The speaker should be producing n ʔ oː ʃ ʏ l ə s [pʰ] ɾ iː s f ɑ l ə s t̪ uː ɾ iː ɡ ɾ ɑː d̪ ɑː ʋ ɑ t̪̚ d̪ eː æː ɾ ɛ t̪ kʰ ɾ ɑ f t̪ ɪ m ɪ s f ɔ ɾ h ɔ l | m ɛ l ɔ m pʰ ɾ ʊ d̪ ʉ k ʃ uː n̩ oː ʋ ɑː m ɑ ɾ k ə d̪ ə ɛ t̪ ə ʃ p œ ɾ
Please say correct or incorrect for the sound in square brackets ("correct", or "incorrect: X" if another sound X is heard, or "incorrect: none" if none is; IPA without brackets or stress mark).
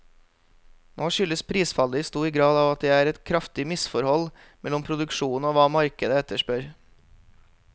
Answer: correct